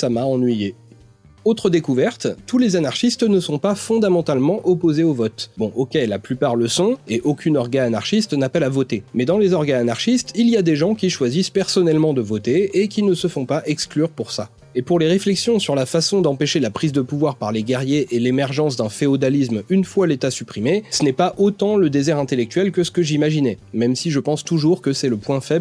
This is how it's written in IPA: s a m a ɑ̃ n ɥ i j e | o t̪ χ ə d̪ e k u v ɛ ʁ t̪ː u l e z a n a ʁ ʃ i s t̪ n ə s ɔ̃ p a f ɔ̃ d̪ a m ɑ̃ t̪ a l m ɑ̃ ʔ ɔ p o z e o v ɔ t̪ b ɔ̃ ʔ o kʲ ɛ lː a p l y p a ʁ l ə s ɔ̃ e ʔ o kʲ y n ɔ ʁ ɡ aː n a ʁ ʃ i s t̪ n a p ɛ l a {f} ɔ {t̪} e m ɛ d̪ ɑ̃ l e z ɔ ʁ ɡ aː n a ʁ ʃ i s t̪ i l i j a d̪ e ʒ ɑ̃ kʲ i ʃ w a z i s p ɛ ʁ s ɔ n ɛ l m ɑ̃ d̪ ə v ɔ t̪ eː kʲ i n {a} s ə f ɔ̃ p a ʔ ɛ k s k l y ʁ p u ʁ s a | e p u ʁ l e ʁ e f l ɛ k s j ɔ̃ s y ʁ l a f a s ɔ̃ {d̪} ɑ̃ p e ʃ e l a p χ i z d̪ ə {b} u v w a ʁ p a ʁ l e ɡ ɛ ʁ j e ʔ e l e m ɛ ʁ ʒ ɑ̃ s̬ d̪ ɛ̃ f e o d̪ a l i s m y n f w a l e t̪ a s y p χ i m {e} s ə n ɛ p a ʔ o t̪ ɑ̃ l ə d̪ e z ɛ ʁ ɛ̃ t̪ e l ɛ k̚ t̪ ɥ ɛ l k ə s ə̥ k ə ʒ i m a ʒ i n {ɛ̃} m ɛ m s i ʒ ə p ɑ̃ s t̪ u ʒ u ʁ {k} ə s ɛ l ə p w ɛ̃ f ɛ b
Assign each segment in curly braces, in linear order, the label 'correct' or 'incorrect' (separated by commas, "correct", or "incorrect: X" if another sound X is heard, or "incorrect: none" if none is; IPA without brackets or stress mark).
incorrect: v, correct, incorrect: ə, correct, incorrect: p, correct, incorrect: ɛ, correct